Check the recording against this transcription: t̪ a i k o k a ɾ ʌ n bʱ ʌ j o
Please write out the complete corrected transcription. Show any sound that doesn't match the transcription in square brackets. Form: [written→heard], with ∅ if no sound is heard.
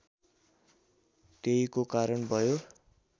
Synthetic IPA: t̪ [a→e] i k o k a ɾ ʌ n bʱ ʌ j o